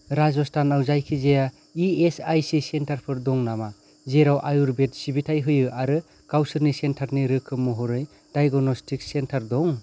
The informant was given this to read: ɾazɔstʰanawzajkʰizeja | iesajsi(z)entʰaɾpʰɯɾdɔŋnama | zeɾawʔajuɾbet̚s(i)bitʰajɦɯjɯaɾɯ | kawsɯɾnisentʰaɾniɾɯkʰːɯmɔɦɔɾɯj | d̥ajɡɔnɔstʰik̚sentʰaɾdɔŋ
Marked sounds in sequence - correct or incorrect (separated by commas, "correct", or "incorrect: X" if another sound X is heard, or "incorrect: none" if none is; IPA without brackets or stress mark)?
incorrect: s, correct